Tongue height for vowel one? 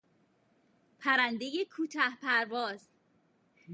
low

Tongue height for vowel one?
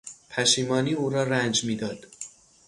low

